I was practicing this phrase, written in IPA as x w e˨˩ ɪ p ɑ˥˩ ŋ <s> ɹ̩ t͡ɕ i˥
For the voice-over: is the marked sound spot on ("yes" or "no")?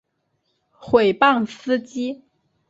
yes